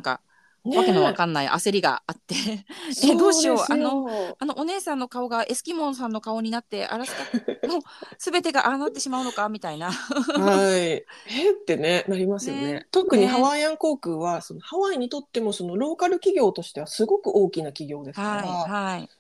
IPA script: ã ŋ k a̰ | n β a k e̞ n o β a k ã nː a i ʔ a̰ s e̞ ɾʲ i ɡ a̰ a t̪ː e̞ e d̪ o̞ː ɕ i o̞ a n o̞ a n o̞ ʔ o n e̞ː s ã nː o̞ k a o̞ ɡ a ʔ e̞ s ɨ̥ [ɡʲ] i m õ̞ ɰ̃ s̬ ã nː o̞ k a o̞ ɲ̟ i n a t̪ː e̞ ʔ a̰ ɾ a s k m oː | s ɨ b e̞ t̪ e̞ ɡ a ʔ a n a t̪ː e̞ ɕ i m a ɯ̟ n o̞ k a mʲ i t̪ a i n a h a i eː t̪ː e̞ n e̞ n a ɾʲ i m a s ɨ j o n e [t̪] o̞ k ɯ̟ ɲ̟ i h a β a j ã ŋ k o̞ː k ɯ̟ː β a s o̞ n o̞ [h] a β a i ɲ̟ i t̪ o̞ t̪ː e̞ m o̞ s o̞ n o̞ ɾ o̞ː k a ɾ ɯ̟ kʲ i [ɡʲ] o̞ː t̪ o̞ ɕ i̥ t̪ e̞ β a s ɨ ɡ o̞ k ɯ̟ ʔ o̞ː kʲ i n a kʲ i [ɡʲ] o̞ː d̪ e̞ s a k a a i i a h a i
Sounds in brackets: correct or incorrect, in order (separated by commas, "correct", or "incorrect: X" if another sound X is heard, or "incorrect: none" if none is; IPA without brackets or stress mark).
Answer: incorrect: kʲ, correct, correct, correct, correct